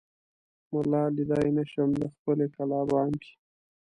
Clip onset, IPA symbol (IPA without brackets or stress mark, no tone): m